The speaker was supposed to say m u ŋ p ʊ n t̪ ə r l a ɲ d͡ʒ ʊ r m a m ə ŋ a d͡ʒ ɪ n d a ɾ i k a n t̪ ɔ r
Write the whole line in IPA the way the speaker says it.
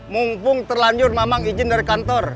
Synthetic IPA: m u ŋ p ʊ ŋ t̪ ə r l a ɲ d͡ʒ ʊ r m a m a ŋ i d͡ʒ ɪ n d a ɾ i k a n t̪ ɔ r